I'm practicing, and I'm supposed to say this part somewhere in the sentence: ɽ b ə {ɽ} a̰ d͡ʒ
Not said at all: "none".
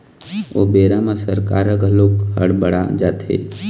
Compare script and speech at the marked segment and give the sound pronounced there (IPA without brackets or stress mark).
ɽ